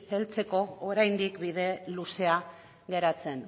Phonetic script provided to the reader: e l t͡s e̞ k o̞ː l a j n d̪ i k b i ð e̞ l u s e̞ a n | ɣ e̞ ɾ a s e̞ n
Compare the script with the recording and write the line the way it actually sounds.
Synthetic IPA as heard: e l t͡s e̞ k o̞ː ɾ a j n d̪ i k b i ð e̞ l u s e̞ a | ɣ e̞ ɾ a t͡s e̞ n